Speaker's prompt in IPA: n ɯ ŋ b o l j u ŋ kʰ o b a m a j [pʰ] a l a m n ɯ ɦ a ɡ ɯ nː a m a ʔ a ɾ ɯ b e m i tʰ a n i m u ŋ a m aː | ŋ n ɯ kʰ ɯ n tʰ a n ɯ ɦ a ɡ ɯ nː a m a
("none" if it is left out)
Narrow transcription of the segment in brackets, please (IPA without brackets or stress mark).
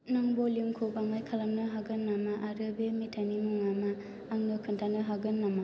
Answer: kʰ